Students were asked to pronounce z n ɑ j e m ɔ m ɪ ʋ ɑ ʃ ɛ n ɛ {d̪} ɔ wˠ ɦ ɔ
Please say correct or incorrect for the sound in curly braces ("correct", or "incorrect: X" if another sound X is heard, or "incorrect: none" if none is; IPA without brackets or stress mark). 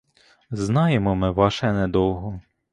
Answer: correct